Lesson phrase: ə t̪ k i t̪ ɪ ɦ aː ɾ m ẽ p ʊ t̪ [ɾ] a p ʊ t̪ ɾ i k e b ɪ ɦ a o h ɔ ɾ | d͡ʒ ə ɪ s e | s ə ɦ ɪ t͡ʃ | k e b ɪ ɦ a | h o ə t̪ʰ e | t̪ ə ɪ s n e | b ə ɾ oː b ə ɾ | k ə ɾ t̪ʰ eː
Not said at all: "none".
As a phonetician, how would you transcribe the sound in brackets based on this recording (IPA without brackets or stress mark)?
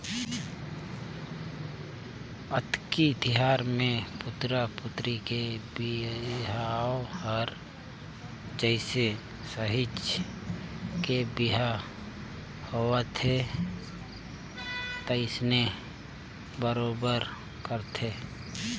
ɾ